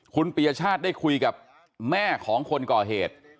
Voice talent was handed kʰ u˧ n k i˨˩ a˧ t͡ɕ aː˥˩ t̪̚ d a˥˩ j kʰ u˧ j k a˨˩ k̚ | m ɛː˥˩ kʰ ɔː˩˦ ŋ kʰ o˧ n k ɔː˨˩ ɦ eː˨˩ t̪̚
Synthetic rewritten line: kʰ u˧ n p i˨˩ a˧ t͡ɕʰ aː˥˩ t̪̚ d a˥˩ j kʰ u˧ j k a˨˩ p̚ | m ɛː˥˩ kʰ ɔː˩˦ ŋ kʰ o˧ n k ɔː˨˩ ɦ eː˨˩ t̪̚

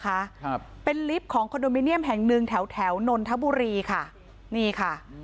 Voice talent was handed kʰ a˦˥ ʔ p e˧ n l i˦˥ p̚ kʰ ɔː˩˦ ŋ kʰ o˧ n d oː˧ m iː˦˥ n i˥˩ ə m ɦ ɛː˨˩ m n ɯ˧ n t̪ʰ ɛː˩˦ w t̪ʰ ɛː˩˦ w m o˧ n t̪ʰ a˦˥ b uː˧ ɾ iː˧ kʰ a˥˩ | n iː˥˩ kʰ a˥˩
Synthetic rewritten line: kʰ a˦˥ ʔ p e˧ n l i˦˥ p̚ kʰ ɔː˩˦ ŋ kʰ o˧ n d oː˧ m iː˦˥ n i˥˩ ə m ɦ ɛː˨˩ ŋ n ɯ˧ ŋ t̪ʰ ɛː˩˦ w t̪ʰ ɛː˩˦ w n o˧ n t̪ʰ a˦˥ b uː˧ ɾ iː˧ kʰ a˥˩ | n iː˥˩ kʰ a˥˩

